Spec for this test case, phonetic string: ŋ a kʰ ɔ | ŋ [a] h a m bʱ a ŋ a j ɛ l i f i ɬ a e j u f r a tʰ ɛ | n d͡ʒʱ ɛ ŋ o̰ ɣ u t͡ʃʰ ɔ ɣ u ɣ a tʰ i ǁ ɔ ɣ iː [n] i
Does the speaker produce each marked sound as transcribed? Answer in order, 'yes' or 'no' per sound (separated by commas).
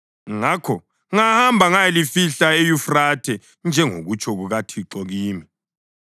yes, no